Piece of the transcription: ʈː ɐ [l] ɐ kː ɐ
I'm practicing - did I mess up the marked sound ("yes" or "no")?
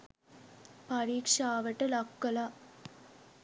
no